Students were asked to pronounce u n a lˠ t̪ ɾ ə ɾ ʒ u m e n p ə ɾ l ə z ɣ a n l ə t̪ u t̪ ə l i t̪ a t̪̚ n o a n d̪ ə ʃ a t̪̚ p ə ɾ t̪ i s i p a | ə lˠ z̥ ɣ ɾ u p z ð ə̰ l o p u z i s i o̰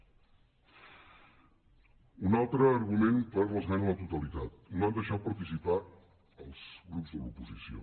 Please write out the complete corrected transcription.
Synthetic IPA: u n a lˠ t̪ ɾ əː ɾ ɣ u m e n p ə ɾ l ə z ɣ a n l ə t̪ u t̪ ə l i t̪ a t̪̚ n o a n d̪ ə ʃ a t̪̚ p ə ɾ t̪ i s i p a | ə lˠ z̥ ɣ ɾ u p z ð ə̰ l u p u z i s i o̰